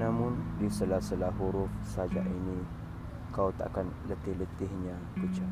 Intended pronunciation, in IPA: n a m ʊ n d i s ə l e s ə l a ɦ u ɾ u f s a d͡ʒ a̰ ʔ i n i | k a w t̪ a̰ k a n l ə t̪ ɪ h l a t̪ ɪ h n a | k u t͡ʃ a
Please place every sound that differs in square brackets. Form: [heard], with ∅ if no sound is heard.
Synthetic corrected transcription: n a m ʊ n d i s ə l [a] s ə l a ɦ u ɾ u f s a d͡ʒ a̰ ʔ i n i | k a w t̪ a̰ k a n l ə t̪ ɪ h l [ə] t̪ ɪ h [ɲ] a | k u t͡ʃ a